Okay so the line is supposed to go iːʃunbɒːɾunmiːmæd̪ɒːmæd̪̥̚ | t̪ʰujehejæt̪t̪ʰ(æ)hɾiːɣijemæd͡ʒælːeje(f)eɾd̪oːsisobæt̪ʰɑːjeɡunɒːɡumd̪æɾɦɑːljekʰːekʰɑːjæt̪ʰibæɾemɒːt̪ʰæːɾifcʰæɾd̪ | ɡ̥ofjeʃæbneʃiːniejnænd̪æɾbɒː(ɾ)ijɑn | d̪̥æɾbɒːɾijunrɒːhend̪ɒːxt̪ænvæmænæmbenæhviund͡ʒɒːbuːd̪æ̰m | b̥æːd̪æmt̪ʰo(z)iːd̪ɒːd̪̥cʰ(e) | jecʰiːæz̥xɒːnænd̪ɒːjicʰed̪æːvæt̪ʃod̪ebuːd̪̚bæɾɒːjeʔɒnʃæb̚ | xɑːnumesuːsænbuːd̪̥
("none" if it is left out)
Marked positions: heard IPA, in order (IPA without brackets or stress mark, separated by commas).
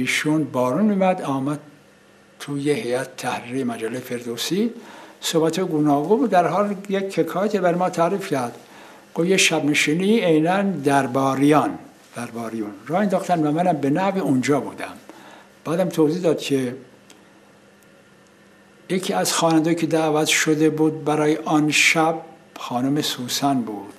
æ, f, ɾ, z, e